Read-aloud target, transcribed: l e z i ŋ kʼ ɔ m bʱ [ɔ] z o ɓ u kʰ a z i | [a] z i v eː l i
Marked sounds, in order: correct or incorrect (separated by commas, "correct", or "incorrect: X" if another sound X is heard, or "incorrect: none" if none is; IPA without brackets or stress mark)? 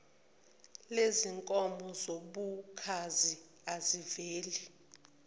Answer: correct, correct